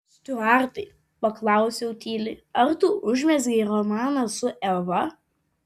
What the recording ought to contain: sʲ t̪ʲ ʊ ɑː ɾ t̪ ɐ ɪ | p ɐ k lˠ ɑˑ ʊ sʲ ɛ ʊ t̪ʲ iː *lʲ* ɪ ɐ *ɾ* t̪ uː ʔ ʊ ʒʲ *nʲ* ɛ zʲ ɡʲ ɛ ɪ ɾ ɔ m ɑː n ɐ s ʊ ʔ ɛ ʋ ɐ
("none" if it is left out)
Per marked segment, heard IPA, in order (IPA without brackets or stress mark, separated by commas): lʲ, ɾ, mʲ